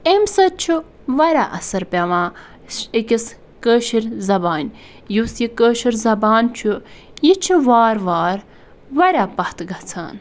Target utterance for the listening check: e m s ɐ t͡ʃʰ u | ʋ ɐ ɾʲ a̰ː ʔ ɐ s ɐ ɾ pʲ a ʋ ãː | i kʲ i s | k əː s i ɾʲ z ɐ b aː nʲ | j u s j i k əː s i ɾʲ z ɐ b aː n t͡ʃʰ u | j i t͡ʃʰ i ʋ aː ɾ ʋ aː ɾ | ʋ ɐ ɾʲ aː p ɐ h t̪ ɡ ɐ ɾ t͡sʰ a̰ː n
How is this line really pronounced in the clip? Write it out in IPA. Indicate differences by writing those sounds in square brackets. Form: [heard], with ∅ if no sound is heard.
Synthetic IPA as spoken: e m s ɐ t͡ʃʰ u | ʋ ɐ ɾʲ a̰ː ʔ ɐ s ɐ ɾ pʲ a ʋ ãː | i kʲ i s | k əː [ʃ] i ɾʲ z ɐ b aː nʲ | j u s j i k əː [ʃ] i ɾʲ z ɐ b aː n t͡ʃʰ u | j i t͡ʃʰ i ʋ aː ɾ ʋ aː ɾ | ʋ ɐ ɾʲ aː p ɐ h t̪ ɡ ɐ [∅] t͡sʰ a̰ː n